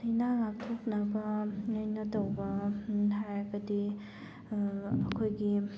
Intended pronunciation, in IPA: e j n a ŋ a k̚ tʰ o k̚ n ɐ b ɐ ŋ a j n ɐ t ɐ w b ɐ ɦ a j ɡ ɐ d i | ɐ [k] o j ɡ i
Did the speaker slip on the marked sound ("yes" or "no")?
yes